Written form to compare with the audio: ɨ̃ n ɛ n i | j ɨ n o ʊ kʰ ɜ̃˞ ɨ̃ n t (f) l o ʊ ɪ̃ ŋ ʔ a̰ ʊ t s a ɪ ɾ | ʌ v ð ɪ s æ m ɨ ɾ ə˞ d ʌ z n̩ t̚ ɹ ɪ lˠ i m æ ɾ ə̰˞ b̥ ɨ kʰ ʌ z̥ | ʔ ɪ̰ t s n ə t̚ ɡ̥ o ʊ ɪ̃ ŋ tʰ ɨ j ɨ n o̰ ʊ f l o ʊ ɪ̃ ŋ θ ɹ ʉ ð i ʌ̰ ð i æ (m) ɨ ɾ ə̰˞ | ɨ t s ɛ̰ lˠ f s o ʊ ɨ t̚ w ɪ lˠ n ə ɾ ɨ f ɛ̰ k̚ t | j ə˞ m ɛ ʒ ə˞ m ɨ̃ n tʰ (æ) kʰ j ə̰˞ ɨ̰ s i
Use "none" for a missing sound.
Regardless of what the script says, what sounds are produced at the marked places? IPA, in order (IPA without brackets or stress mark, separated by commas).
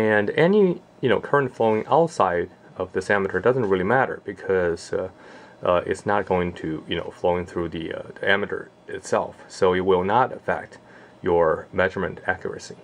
f, m, æ